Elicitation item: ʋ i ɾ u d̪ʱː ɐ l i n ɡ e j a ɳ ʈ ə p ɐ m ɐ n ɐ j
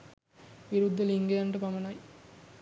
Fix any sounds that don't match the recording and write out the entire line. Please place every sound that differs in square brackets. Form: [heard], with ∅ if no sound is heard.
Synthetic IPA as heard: ʋ i ɾ u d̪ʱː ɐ l i [ŋ] ɡ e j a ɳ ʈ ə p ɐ m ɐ n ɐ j